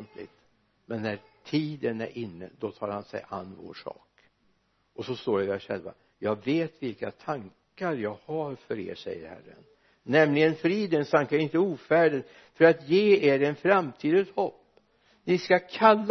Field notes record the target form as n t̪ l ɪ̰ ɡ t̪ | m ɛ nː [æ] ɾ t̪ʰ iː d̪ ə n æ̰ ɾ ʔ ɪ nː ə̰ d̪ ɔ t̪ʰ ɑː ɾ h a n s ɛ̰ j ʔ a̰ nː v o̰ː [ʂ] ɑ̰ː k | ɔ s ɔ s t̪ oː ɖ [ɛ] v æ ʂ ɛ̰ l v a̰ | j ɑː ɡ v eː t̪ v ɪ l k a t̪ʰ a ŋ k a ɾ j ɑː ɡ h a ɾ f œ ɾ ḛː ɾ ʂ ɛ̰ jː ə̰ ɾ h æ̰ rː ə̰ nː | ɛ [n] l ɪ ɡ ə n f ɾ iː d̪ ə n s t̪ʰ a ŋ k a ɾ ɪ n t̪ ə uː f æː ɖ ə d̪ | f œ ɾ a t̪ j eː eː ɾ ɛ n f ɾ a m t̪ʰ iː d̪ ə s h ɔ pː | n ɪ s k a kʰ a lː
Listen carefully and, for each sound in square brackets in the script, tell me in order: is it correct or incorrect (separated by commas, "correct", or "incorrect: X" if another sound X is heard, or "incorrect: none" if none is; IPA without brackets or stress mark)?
correct, correct, correct, incorrect: m